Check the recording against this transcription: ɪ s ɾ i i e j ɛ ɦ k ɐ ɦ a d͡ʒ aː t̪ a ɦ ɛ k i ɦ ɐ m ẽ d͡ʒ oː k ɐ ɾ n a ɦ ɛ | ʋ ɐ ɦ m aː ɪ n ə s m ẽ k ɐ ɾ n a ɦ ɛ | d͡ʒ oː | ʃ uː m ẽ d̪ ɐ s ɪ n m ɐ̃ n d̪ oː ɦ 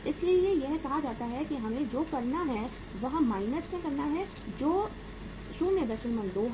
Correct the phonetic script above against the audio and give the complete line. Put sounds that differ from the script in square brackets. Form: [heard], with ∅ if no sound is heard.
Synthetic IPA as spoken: ɪ s [l] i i e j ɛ ɦ k ɐ ɦ a d͡ʒ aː t̪ a ɦ ɛ k i ɦ ɐ m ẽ d͡ʒ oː k ɐ ɾ n a ɦ ɛ | ʋ ɐ ɦ m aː ɪ n ə s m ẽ k ɐ ɾ n a ɦ ɛ | d͡ʒ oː | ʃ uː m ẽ d̪ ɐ [ʃ] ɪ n m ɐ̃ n d̪ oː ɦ